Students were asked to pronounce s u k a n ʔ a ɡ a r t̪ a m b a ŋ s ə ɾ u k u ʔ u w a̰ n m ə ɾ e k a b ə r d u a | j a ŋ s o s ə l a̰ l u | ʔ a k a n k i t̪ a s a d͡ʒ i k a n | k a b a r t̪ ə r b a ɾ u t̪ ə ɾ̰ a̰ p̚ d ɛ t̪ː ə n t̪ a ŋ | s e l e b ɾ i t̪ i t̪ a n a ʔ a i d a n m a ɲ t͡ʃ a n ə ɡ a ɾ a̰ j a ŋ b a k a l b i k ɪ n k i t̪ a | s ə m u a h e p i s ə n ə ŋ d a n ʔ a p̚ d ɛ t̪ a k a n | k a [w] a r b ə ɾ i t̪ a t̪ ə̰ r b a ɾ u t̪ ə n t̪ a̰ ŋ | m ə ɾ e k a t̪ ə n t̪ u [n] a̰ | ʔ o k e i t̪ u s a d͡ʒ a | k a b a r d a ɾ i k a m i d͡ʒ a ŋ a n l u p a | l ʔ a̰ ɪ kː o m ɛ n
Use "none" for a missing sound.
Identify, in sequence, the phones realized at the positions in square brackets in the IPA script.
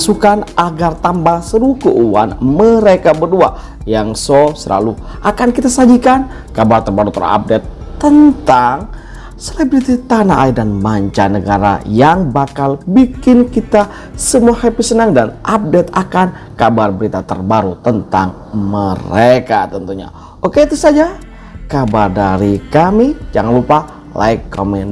b, ɲ

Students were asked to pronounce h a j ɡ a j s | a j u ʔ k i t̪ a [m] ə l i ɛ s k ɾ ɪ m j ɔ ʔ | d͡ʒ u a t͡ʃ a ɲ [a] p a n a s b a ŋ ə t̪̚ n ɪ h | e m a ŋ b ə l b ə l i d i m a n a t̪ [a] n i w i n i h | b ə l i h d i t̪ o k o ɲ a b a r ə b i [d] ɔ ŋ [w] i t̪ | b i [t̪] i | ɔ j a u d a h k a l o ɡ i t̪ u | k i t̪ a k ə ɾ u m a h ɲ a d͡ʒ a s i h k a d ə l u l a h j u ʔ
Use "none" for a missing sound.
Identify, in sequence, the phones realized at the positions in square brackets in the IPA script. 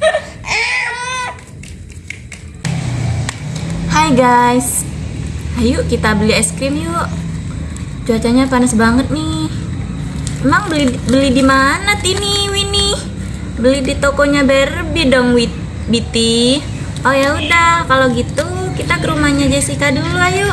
b, a, i, d, w, t̪

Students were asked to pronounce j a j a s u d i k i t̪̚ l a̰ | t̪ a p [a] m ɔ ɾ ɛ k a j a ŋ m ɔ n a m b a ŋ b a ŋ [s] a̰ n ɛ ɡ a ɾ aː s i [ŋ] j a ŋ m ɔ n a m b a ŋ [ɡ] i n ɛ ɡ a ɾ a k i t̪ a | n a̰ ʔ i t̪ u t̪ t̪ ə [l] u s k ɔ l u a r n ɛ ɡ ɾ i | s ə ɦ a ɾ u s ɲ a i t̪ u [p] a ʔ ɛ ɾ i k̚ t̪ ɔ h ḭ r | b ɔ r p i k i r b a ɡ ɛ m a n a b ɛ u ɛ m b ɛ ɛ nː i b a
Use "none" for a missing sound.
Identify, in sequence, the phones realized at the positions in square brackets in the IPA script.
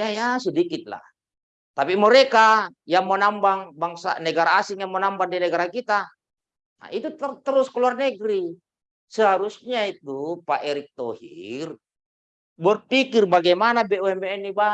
i, s, ŋ, d, ɾ, p

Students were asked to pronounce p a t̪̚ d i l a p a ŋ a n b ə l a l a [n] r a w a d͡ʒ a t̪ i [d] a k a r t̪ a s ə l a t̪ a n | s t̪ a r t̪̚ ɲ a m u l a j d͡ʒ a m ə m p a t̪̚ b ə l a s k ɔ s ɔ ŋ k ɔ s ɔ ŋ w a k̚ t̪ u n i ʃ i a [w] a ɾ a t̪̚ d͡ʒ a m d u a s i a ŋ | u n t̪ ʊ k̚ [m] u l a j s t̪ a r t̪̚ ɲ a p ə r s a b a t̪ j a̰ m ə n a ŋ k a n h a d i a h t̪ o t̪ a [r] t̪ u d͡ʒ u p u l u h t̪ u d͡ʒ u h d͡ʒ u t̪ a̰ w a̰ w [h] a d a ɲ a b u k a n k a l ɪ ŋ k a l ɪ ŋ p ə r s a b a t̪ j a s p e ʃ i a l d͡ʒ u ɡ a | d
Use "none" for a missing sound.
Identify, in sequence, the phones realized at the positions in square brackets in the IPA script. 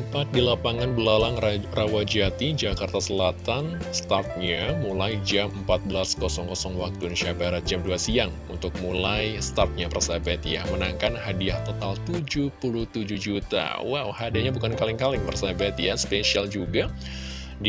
ŋ, d͡ʒ, b, m, l, h

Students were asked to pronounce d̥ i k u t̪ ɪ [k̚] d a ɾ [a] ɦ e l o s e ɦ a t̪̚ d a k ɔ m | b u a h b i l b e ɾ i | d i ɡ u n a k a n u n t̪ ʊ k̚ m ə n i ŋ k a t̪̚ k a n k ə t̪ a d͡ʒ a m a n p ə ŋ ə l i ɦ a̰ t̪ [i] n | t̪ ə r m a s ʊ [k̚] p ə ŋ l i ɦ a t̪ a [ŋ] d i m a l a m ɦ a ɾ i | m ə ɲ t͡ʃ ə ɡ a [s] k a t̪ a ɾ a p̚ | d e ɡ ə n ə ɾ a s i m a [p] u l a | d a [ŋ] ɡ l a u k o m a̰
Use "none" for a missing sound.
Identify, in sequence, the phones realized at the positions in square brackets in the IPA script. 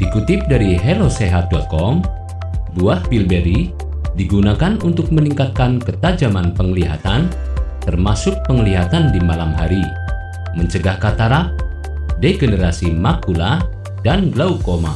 p̚, i, a, k̚, n, h, k, n

